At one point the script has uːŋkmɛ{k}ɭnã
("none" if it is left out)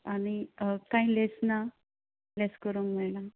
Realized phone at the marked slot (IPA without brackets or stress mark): none